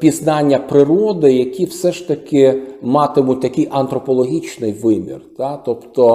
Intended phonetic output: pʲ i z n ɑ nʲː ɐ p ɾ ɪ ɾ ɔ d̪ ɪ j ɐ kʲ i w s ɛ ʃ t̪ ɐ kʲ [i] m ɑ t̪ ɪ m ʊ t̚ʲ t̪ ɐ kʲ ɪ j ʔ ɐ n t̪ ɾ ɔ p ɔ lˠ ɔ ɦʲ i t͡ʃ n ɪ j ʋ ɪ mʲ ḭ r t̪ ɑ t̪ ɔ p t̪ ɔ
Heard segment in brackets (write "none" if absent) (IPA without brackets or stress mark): ɪ